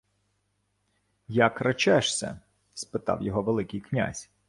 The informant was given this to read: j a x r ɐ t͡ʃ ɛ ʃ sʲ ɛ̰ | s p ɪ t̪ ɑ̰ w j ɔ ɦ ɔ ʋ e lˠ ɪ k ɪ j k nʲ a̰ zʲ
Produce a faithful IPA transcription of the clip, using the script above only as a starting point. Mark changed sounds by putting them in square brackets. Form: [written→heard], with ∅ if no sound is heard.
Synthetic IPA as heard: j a [x→k] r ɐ t͡ʃ ɛ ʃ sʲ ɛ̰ | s p ɪ t̪ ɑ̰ w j ɔ ɦ ɔ ʋ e lˠ ɪ k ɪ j k nʲ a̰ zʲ